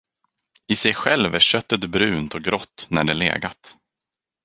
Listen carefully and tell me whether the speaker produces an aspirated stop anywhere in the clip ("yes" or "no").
no